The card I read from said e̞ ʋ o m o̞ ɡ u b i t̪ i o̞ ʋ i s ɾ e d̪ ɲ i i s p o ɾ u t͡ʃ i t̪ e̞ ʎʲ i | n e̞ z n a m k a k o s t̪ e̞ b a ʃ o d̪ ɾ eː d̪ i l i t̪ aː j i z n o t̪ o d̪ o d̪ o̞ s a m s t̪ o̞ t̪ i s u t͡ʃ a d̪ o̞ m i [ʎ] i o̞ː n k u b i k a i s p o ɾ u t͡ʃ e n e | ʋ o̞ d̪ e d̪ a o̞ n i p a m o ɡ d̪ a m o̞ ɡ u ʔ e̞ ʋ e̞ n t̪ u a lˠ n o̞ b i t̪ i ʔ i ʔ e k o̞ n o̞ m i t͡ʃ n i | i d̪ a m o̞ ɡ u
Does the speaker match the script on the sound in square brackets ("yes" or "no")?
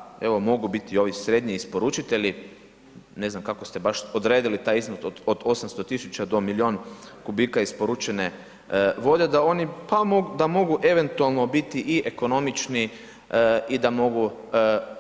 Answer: no